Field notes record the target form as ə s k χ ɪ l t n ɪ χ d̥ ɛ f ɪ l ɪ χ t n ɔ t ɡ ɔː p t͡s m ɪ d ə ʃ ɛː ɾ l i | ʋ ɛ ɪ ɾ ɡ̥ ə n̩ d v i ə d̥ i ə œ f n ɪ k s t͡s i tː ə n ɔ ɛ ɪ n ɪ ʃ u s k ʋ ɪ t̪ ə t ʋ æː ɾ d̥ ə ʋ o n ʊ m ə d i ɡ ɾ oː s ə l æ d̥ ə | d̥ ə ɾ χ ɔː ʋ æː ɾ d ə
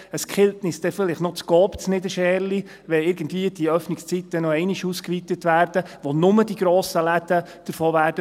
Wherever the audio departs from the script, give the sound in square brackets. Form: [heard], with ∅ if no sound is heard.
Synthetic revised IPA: ə s k χ ɪ l t n ɪ [s] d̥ ɛ f ɪ l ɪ χ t n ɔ [t͡s] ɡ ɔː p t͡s [n] ɪ d ə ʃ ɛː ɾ l i | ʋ ɛ ɪ ɾ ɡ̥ ə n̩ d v i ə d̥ i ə œ f n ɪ k s t͡s i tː ə n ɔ ɛ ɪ n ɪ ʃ u s k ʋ [i] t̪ ə t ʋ æː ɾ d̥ ə ʋ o n ʊ m ə d i ɡ ɾ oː s ə l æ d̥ ə | d̥ ə ɾ [f] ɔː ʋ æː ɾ d ə